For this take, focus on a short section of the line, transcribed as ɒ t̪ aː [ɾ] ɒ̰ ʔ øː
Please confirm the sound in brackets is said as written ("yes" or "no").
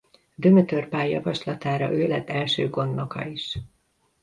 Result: yes